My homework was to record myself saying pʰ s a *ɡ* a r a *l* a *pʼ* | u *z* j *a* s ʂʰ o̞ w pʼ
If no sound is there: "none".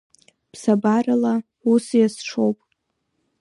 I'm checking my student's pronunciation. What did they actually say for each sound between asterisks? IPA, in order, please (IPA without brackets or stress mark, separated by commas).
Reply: b, l, none, s, a